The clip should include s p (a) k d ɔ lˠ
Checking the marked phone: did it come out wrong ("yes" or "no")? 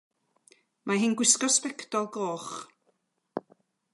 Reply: yes